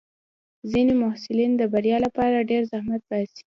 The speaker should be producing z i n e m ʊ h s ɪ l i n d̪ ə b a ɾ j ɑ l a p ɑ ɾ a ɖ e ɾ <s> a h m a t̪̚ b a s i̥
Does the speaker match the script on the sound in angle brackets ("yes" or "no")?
no